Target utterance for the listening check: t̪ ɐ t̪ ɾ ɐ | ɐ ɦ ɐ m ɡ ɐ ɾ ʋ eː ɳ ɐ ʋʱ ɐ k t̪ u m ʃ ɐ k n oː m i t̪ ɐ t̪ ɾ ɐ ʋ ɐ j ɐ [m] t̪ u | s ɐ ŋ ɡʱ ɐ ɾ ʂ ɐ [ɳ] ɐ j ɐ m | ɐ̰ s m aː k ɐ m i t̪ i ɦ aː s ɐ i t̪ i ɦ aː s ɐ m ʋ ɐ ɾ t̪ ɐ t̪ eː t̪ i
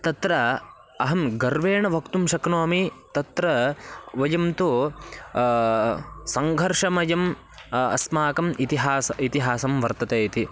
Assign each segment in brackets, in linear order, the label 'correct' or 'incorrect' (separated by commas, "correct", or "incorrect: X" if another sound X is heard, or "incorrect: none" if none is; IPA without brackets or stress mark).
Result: correct, incorrect: m